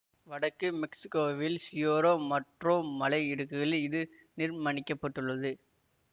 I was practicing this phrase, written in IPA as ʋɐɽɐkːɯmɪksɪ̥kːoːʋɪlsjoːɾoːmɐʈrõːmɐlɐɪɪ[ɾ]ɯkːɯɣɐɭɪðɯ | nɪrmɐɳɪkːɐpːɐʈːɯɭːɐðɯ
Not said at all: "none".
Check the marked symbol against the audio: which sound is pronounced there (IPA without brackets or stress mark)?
ɽ